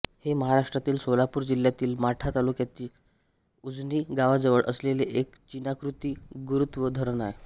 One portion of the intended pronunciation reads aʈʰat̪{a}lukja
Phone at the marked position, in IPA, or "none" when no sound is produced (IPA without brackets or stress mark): a